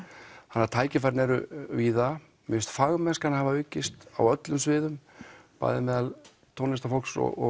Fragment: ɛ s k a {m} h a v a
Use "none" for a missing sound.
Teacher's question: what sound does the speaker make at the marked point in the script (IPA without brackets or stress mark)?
n